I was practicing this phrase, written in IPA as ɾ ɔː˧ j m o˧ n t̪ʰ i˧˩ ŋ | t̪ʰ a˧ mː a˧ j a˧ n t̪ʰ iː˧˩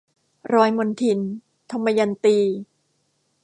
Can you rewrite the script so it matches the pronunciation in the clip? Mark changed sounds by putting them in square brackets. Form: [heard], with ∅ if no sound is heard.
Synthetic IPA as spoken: ɾ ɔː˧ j m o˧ n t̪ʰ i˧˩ [n] | t̪ʰ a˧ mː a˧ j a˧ n [t̪] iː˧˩

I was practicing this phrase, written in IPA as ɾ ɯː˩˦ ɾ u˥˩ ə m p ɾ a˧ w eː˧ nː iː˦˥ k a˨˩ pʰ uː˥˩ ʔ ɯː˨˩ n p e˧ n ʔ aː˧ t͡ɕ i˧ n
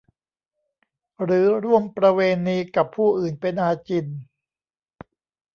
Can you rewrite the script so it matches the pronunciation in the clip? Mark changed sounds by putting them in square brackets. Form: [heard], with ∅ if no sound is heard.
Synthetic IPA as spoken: ɾ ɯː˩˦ ɾ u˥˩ ə m p ɾ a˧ w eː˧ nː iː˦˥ k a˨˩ pʰ uː˥˩ ʔ ɯː˨˩ n p e˧ n ʔ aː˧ t͡ɕ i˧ n

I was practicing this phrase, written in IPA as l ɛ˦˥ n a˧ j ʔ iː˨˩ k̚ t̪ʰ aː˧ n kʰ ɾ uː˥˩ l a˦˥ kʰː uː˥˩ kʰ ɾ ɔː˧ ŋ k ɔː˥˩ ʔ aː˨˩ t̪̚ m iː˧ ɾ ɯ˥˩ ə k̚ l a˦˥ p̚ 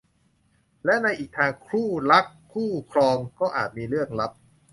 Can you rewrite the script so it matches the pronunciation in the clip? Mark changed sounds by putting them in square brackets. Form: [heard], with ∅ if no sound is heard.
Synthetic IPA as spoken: l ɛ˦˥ n a˧ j ʔ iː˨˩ k̚ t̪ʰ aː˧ [ŋ] kʰ ɾ uː˥˩ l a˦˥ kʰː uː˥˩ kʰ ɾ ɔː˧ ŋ k ɔː˥˩ ʔ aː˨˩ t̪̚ m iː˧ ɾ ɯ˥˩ ə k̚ l a˦˥ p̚

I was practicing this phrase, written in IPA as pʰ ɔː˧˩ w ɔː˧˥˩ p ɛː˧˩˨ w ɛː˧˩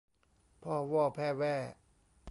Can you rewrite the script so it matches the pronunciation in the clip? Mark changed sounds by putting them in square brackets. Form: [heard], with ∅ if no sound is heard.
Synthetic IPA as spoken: pʰ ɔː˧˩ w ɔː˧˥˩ [pʰ] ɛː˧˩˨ w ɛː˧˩

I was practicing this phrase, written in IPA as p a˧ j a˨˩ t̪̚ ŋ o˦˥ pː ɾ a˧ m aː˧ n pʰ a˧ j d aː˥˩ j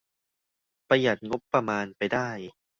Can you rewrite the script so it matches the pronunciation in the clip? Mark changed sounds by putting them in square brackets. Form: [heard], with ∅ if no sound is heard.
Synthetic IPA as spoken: p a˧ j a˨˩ t̪̚ ŋ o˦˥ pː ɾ a˧ m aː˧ n [p] a˧ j d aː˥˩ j

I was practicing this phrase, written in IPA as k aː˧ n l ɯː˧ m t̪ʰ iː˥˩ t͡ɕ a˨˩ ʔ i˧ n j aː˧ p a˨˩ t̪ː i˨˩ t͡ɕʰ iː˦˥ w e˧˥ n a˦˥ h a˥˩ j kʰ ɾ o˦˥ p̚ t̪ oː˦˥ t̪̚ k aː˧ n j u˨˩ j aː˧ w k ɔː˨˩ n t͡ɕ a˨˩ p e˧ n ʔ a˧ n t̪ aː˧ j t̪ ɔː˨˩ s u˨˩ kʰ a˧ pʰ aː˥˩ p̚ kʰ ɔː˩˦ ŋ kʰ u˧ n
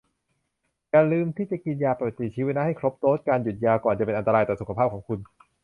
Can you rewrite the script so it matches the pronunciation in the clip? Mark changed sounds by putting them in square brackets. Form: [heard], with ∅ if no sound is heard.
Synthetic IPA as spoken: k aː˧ n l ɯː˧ m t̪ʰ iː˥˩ t͡ɕ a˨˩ [k] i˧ n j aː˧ p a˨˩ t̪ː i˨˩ t͡ɕʰ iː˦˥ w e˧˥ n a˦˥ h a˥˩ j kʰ ɾ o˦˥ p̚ t̪ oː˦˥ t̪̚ k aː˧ n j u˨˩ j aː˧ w k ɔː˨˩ n t͡ɕ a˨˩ p e˧ n ʔ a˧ n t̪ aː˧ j t̪ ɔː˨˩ s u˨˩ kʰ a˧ pʰ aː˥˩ p̚ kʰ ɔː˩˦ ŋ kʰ u˧ n

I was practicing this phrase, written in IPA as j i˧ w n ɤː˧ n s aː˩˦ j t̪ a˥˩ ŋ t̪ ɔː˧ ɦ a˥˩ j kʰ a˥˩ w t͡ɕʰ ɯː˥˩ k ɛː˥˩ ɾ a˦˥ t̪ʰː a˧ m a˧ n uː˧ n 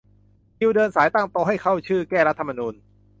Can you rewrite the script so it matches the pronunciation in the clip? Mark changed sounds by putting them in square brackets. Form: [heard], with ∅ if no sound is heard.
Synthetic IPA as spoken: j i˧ w [d] ɤː˧ n s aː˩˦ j t̪ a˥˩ ŋ t̪ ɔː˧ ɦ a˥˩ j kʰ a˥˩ w t͡ɕʰ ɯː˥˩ k ɛː˥˩ ɾ a˦˥ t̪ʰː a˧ m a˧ n uː˧ n

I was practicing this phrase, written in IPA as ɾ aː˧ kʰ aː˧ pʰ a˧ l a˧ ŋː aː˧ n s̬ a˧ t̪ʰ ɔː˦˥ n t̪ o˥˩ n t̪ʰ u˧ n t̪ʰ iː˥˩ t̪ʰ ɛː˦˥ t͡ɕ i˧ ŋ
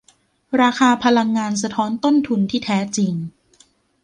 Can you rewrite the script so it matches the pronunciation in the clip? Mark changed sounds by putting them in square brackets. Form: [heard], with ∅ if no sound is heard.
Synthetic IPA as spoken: ɾ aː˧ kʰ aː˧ pʰ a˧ l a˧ ŋː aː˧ n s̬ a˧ t̪ʰ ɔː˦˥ n t̪ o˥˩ n t̪ʰ u˧ n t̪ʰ iː˥˩ t̪ʰ ɛː˦˥ t͡ɕ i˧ ŋ

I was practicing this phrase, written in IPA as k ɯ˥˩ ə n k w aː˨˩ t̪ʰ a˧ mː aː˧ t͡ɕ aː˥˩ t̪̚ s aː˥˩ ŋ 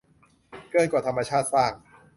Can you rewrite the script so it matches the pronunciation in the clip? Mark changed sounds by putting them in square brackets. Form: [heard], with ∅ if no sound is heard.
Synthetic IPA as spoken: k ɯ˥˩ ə n k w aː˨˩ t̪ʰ a˧ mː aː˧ [t͡ɕʰ] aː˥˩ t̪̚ s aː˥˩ ŋ

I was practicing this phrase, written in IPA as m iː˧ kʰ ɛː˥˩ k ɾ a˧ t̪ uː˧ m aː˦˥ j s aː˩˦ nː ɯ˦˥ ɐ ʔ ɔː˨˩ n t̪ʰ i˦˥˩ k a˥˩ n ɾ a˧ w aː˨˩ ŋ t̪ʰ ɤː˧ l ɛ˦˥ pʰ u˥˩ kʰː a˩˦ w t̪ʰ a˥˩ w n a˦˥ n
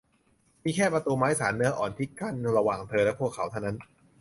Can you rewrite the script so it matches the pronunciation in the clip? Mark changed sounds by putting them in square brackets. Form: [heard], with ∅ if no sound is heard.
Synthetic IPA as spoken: m iː˧ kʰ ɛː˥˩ [p] ɾ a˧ t̪ uː˧ m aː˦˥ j s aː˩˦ nː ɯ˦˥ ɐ ʔ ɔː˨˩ n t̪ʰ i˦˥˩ k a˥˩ n ɾ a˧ w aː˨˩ ŋ t̪ʰ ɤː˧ l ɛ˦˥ pʰ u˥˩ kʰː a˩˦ w t̪ʰ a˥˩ w n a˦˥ n

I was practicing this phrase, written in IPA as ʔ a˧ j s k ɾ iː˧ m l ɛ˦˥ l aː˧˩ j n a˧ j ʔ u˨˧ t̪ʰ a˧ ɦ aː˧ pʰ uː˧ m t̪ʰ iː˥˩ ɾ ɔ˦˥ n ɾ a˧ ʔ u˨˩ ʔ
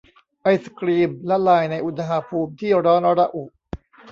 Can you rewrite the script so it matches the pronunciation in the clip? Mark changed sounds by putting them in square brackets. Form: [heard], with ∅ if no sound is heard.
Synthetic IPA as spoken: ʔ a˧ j s k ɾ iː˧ m l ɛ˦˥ l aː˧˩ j n a˧ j ʔ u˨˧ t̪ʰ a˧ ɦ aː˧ pʰ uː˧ m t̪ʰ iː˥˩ ɾ [ɔː˦˥] n ɾ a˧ ʔ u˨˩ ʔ

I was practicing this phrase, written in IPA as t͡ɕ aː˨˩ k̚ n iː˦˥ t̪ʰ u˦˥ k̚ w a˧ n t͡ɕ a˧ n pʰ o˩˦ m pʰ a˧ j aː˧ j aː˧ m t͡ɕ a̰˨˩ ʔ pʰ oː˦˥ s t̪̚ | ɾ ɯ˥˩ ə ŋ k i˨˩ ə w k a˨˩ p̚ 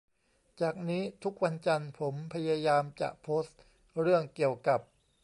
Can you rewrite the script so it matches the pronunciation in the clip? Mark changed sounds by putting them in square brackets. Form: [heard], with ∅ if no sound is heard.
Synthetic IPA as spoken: t͡ɕ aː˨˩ k̚ n iː˦˥ t̪ʰ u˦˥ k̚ w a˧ n t͡ɕ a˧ n pʰ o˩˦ m pʰ a˧ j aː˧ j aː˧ m t͡ɕ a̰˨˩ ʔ pʰ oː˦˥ s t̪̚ | ɾ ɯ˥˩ ə ŋ k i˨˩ ə w k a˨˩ p̚

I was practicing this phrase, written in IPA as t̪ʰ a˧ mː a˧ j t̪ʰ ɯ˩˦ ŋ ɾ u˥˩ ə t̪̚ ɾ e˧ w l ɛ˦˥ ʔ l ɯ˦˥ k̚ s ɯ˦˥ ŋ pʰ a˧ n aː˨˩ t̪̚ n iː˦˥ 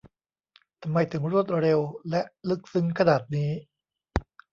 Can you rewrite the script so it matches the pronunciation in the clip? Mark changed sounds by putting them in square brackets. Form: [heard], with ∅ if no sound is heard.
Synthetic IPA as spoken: t̪ʰ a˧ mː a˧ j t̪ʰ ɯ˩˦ ŋ ɾ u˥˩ ə t̪̚ ɾ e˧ w l ɛ˦˥ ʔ l ɯ˦˥ k̚ s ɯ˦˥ ŋ [kʰ] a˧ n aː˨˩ t̪̚ n iː˦˥

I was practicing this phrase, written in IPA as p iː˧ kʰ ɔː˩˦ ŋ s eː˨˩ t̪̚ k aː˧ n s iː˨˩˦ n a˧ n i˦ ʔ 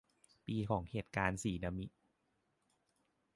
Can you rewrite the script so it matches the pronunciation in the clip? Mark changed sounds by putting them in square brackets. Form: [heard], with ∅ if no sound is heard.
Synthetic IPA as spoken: p iː˧ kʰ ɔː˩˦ ŋ [h] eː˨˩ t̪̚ k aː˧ n s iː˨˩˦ n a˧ [m] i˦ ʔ

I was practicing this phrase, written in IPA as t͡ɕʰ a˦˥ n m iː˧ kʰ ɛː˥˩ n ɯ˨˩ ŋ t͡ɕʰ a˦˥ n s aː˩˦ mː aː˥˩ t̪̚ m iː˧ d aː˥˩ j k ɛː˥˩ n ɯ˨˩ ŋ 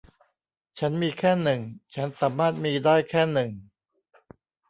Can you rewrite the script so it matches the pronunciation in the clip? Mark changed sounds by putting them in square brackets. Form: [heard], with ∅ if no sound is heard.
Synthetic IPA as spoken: t͡ɕʰ a˦˥ n m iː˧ kʰ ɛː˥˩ n ɯ˨˩ ŋ t͡ɕʰ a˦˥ n s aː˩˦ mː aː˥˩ t̪̚ m iː˧ d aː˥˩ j [kʰ] ɛː˥˩ n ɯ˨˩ ŋ

